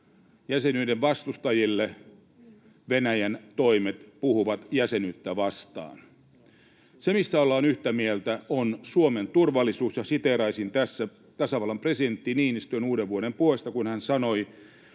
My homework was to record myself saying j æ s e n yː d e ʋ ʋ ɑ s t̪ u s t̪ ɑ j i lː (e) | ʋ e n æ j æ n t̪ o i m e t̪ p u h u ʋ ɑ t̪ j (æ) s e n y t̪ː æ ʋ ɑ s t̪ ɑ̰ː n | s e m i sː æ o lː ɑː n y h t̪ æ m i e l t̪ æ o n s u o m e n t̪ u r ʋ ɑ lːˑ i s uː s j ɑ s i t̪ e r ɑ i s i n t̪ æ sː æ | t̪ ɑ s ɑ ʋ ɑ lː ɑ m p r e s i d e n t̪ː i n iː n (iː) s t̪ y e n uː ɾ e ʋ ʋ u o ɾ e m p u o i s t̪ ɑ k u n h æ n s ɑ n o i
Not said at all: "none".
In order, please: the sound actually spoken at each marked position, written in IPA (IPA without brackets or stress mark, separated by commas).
e, æ, i